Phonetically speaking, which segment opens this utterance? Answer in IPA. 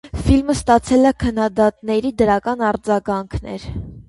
f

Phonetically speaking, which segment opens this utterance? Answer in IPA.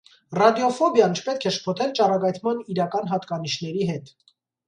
r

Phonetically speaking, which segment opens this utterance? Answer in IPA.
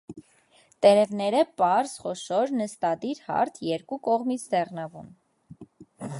t̪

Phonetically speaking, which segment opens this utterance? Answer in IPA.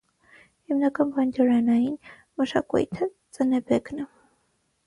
h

